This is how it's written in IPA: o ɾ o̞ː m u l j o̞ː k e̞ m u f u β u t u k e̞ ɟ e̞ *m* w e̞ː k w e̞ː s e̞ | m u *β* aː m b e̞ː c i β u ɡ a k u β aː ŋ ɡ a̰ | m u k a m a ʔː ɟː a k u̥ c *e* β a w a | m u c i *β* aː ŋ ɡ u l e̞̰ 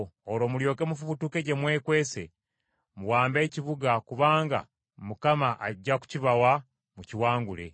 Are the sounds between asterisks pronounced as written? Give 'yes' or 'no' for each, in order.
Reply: yes, no, no, no

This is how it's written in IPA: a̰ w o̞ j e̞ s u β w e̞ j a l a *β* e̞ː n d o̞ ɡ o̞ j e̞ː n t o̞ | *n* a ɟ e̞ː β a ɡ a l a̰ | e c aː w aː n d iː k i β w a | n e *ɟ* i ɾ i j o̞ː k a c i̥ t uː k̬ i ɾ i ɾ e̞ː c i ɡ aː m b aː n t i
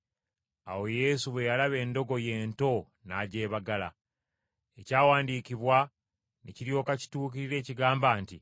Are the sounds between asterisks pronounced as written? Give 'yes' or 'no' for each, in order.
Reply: yes, yes, no

